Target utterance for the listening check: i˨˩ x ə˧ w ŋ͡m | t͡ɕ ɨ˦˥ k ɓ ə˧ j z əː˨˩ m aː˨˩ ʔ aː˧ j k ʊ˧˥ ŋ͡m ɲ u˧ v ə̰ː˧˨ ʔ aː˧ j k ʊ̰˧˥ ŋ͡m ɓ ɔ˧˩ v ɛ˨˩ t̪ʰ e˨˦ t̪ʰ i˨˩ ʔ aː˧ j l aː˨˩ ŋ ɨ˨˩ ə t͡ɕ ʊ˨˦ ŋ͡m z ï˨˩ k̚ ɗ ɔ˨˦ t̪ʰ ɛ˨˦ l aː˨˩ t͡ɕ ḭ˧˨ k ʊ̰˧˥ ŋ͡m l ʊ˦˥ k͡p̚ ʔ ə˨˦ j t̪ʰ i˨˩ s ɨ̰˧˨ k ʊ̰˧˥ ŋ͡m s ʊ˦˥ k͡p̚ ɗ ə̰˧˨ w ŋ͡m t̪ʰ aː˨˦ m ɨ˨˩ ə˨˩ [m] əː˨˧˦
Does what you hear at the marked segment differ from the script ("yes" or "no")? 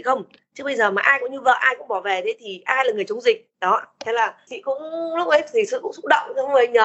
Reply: yes